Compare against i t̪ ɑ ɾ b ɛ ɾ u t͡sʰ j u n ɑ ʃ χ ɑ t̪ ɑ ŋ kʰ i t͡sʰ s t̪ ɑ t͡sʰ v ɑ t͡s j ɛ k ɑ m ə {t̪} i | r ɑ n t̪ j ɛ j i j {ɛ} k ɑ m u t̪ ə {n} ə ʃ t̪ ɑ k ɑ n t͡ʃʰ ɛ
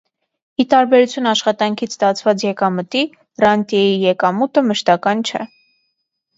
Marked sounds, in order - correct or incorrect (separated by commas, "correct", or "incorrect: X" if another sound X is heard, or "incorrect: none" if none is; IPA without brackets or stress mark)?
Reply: correct, correct, incorrect: m